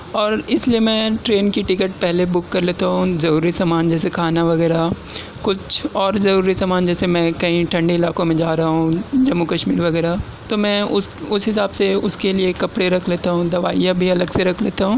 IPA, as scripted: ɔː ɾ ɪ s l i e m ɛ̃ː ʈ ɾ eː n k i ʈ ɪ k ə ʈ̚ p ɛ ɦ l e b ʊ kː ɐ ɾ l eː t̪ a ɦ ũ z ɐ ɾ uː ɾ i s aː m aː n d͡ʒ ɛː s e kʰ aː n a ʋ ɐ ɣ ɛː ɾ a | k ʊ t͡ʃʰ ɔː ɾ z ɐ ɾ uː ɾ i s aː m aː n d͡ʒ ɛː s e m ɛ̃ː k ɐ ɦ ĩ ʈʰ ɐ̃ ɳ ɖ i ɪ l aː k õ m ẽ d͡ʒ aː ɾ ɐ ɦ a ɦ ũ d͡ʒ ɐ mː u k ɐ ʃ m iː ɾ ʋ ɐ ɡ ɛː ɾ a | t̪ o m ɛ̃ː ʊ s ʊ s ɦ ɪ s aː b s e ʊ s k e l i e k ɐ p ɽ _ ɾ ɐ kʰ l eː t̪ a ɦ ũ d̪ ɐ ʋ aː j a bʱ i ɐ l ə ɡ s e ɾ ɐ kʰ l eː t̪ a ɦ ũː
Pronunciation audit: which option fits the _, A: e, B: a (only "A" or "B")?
A